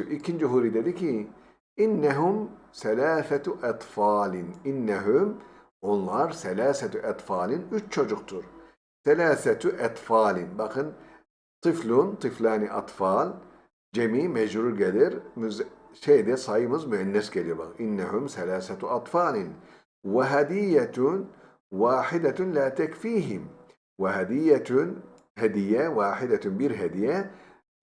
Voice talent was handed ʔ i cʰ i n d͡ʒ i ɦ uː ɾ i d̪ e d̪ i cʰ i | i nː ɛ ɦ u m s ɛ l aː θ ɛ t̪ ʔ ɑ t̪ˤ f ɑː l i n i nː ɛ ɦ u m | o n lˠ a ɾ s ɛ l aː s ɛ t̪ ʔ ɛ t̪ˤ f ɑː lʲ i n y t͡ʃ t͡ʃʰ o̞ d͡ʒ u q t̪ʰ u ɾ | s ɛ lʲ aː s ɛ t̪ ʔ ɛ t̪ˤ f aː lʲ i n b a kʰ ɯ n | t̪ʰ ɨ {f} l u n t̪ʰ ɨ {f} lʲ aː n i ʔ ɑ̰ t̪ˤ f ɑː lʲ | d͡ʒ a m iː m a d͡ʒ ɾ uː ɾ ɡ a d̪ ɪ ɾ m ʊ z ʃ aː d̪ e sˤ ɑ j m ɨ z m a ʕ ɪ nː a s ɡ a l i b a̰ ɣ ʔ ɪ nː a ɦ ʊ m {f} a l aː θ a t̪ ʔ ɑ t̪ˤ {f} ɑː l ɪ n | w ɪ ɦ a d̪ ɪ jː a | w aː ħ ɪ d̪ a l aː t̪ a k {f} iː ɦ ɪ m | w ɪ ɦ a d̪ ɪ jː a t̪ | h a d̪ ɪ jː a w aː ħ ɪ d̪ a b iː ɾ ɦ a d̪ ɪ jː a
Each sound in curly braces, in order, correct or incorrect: correct, correct, incorrect, correct, correct

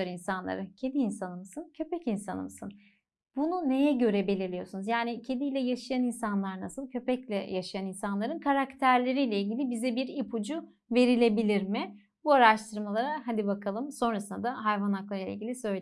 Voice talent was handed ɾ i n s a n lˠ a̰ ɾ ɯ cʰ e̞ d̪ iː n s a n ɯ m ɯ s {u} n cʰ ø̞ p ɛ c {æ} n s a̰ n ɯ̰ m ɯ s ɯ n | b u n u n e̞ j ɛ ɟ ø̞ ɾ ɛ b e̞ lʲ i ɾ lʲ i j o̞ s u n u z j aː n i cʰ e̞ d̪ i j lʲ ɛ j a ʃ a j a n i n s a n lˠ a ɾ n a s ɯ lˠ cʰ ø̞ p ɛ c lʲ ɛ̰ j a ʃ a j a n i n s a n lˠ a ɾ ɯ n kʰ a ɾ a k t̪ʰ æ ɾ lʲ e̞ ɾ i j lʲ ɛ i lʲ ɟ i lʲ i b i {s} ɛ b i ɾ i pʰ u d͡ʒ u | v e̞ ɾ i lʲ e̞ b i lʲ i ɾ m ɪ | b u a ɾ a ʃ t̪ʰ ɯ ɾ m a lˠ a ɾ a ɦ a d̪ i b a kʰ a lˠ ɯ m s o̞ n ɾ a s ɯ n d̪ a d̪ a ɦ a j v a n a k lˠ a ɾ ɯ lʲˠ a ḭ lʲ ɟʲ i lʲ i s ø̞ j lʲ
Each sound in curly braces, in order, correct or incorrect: incorrect, incorrect, incorrect

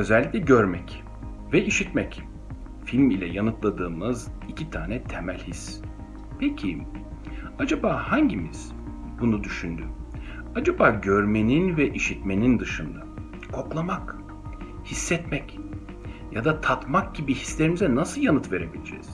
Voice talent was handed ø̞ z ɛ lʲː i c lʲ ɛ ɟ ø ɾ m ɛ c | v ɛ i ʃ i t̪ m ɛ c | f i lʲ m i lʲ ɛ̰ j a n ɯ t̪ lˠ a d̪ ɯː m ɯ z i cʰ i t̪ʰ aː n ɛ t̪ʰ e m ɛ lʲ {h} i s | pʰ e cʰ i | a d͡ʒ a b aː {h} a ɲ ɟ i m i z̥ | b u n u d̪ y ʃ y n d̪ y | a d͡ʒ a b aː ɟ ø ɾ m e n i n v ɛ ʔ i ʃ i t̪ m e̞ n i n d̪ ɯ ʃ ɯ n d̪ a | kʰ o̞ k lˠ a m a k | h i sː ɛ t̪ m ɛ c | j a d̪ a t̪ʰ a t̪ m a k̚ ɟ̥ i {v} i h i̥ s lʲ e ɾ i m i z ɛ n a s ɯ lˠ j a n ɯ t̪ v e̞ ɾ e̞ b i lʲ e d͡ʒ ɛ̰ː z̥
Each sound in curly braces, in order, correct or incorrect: correct, correct, incorrect

